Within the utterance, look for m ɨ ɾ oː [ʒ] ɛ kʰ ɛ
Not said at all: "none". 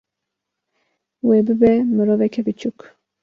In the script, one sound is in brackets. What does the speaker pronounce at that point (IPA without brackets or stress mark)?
v